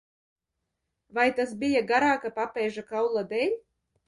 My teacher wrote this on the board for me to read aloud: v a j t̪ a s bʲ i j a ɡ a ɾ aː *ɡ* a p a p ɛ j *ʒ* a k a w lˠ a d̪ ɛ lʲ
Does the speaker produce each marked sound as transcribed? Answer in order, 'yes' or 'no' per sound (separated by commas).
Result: no, yes